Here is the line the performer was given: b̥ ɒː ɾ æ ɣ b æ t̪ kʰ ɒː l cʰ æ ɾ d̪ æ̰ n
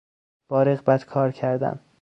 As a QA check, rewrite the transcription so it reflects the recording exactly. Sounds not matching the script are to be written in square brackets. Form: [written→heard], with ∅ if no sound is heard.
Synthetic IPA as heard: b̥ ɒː ɾ [æ→e] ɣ b æ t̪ kʰ ɒː [l→ɾ] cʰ æ ɾ d̪ æ̰ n